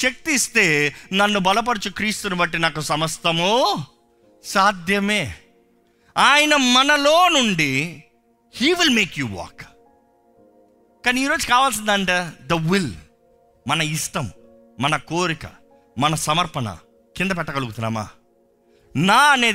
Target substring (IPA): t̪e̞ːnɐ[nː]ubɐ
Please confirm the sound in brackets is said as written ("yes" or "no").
yes